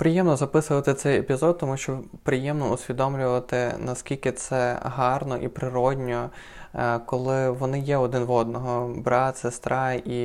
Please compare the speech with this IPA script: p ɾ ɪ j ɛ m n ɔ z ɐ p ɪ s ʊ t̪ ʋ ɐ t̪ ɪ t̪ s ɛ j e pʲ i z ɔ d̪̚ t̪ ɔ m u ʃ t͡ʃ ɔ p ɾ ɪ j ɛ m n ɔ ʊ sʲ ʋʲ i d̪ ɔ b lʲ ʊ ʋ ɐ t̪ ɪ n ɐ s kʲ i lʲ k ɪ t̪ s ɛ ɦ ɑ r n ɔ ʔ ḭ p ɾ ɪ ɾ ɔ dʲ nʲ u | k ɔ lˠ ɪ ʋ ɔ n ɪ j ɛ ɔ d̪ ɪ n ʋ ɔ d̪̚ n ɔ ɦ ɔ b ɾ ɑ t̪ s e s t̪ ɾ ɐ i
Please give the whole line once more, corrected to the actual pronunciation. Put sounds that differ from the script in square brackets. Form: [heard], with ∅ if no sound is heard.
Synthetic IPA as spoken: p ɾ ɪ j ɛ m n ɔ z ɐ p ɪ s ʊ [∅] ʋ ɐ t̪ ɪ t̪ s ɛ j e pʲ i z ɔ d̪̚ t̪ ɔ m u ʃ t͡ʃ ɔ p ɾ ɪ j ɛ m n ɔ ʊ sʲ ʋʲ i d̪ ɔ [m] lʲ ʊ ʋ ɐ t̪ ɪ n ɐ s kʲ i lʲ k ɪ t̪ s ɛ ɦ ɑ r n ɔ ʔ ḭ p ɾ ɪ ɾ ɔ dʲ nʲ [ɔ] | k ɔ lˠ ɪ ʋ ɔ n ɪ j ɛ ɔ d̪ ɪ n ʋ ɔ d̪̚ n ɔ ɦ ɔ b ɾ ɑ t̪ s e s t̪ ɾ [ɑ] i